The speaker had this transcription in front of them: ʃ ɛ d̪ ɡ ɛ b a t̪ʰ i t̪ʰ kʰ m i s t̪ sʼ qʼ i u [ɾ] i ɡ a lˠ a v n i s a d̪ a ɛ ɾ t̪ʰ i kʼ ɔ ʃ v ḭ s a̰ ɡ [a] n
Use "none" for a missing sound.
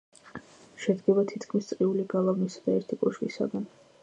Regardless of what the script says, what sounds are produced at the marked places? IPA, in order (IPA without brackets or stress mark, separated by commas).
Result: l, a